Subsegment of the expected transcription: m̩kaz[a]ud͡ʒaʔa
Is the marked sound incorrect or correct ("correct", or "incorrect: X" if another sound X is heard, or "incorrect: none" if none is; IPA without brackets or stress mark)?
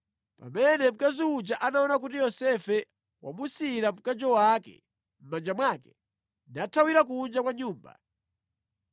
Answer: incorrect: i